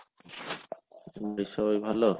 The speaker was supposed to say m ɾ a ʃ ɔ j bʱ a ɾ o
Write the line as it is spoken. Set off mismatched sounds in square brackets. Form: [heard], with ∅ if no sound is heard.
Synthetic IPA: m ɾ [i] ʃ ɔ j bʱ a [l] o